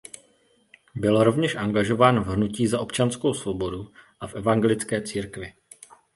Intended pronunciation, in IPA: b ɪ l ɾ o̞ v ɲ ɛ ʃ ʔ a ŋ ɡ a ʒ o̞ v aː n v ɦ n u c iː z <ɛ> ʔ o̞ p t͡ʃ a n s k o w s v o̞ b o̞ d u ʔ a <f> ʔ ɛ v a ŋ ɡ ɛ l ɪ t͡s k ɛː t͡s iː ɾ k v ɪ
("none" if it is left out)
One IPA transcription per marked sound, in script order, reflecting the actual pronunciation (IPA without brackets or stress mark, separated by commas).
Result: a, f